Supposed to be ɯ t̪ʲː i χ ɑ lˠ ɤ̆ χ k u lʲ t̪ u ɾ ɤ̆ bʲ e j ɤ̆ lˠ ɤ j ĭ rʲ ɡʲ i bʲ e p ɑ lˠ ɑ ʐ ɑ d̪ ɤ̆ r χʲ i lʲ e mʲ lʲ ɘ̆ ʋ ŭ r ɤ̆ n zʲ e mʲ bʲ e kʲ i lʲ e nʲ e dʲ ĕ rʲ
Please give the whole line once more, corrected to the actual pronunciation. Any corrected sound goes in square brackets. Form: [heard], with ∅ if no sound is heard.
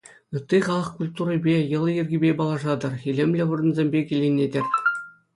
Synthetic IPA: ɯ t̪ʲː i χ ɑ lˠ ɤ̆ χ k u lʲ t̪ u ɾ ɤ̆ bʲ e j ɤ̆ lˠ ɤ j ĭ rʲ ɡʲ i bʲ e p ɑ lˠ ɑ ʐ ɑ d̪ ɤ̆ r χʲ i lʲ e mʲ lʲ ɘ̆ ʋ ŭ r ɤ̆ n zʲ e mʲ bʲ e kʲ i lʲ e nʲ e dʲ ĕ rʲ